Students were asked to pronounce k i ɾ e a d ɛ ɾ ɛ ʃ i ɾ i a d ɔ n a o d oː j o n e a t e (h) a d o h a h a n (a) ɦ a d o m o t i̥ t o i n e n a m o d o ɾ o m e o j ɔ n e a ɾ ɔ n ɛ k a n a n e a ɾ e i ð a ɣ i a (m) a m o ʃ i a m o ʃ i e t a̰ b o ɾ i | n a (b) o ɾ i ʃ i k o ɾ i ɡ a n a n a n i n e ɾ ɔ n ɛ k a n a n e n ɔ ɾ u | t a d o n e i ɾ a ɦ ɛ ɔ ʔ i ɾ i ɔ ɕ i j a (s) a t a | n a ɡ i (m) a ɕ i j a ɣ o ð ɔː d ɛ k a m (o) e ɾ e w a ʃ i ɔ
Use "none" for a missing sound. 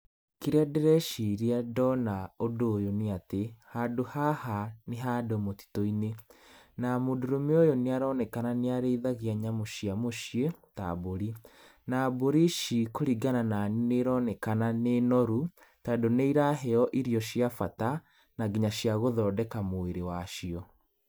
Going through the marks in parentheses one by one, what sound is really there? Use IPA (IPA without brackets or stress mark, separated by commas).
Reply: h, e, ɲ, b, f, ɲ, o